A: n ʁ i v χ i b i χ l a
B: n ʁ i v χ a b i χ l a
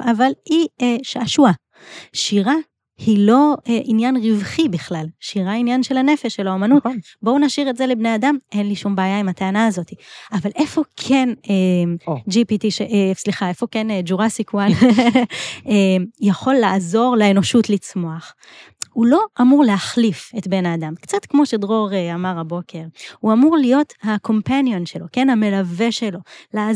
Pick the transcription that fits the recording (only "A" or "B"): A